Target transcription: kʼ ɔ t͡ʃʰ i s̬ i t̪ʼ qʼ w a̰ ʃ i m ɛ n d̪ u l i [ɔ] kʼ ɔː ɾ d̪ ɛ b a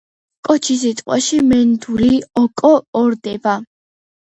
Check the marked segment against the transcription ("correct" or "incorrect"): correct